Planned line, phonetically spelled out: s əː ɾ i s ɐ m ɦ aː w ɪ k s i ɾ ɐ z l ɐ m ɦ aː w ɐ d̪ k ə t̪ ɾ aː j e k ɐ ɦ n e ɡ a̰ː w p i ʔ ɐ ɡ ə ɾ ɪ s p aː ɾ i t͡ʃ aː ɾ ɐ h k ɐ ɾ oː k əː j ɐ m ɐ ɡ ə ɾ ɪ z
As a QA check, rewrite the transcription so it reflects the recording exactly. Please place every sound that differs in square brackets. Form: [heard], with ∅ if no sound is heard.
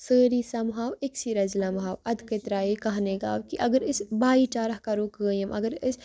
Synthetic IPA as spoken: s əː ɾ i s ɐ m ɦ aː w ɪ k s i ɾ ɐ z l ɐ m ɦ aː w ɐ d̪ k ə t̪ ɾ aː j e k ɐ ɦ n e ɡ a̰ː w [k] i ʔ ɐ ɡ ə ɾ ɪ s [b] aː [∅] i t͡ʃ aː ɾ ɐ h k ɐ ɾ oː k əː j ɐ m ɐ ɡ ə ɾ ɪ [s]